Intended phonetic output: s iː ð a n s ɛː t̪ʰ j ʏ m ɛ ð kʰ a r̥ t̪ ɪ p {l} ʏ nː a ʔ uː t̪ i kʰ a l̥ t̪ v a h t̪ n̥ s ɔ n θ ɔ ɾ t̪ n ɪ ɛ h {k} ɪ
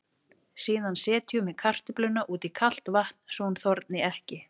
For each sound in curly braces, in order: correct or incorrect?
correct, incorrect: c

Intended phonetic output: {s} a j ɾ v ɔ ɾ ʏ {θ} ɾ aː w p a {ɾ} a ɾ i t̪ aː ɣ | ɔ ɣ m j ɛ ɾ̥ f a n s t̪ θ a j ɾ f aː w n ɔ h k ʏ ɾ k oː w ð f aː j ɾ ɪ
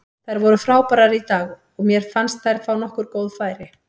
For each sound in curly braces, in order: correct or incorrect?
incorrect: θ, incorrect: f, correct

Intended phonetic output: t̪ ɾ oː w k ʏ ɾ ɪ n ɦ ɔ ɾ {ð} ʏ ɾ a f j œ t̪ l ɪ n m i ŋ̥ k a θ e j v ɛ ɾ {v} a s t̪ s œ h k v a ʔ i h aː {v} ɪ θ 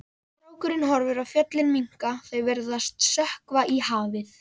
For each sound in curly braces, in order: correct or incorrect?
incorrect: v, incorrect: ð, correct

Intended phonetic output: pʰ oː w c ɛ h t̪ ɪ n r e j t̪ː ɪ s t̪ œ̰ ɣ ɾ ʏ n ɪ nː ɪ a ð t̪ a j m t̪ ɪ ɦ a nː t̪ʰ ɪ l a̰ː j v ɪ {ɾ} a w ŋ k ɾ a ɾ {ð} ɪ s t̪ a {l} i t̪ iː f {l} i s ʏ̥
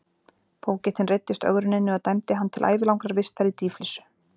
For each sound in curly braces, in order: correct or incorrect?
incorrect: l, incorrect: v, incorrect: ɾ, correct

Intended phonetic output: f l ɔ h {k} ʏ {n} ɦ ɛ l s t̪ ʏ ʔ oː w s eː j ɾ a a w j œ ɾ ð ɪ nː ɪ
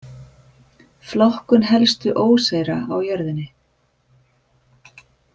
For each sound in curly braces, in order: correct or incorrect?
correct, correct

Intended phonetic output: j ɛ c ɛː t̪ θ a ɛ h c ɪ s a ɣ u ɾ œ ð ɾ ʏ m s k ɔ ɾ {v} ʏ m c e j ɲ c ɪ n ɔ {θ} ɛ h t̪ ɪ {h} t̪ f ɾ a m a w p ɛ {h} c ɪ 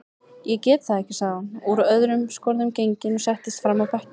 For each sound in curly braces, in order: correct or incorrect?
incorrect: ð, incorrect: s, incorrect: s, correct

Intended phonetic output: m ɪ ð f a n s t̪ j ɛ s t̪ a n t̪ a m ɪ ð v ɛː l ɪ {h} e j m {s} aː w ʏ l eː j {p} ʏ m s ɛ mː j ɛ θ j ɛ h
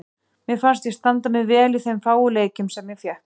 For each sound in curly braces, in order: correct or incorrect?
incorrect: θ, incorrect: f, incorrect: c

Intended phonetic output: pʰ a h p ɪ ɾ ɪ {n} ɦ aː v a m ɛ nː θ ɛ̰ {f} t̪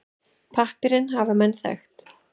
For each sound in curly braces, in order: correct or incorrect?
correct, incorrect: x

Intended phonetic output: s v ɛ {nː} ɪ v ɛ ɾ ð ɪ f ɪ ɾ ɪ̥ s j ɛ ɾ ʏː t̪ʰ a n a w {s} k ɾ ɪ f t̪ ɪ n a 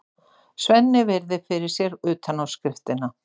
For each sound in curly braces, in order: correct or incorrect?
correct, correct

